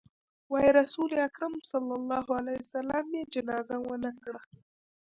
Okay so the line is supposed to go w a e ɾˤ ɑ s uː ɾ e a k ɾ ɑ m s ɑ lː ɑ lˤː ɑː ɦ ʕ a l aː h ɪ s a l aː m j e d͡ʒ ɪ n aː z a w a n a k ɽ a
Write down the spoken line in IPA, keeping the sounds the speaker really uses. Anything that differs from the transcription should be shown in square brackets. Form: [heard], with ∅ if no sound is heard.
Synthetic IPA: w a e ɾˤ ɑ s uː [l] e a k ɾ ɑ m s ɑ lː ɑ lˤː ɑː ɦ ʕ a l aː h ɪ s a l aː m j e d͡ʒ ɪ n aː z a w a n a k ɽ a